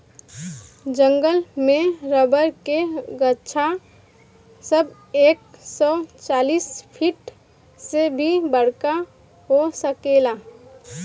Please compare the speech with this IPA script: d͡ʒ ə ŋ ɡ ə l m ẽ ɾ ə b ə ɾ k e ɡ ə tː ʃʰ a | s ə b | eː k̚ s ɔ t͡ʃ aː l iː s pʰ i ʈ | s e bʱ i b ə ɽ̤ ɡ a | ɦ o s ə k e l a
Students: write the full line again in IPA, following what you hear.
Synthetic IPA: d͡ʒ ə ŋ ɡ ə l m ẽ ɾ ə b ə ɾ k e ɡ ə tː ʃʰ a | s ə b | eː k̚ s ɔ t͡ʃ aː l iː s pʰ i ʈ | s e bʱ i b ə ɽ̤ k a | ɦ o s ə k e l a